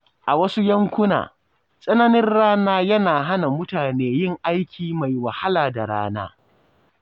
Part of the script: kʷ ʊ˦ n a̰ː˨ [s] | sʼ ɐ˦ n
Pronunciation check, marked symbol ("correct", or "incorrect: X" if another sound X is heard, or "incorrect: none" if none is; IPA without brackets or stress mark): incorrect: none